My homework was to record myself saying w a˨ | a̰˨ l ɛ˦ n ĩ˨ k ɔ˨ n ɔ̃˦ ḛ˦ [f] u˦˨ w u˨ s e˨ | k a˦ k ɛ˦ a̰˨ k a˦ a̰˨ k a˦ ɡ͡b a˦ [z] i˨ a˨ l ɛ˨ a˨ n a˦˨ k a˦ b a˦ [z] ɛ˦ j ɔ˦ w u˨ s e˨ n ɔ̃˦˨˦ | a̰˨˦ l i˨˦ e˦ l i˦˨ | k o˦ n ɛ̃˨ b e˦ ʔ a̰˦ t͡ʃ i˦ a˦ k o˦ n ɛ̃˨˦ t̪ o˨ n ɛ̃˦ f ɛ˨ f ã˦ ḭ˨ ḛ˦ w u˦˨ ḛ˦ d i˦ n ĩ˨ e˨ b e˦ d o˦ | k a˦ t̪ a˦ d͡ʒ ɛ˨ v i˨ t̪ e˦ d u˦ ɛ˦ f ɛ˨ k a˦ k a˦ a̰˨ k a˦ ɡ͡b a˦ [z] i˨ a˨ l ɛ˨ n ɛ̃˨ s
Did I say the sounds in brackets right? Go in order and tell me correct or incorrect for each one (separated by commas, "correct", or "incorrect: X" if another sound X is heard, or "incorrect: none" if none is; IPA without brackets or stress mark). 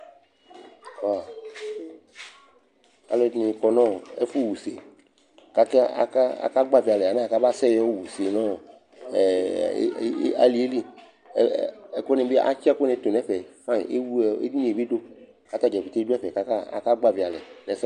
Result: correct, incorrect: v, incorrect: s, incorrect: v